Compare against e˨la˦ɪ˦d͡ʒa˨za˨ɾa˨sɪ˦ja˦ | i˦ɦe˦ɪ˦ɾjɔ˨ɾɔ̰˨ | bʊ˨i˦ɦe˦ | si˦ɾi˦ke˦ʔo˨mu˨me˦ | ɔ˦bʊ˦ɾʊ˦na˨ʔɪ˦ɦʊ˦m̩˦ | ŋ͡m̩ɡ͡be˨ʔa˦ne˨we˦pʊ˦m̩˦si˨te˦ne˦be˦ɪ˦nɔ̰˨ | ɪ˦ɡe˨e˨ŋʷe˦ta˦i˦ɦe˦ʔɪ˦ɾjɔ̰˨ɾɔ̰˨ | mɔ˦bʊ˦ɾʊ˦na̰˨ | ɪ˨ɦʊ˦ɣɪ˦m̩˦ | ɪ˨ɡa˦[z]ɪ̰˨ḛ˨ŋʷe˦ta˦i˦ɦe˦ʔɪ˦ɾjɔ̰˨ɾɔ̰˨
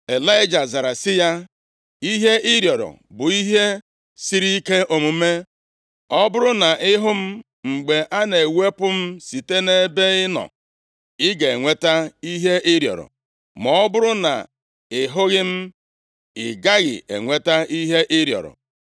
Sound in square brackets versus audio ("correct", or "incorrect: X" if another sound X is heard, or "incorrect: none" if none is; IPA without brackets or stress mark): incorrect: ɣ